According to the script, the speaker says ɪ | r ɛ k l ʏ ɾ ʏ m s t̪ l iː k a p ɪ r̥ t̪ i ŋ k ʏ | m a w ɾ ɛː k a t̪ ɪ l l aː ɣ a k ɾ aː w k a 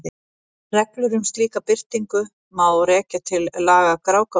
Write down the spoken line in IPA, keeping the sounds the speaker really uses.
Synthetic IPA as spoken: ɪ | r ɛ k l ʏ ɾ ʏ m s t̪ l iː k a p ɪ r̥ t̪ i ŋ k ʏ | m a w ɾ ɛː c a t̪ʰ ɪ l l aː ɣ a k ɾ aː w k a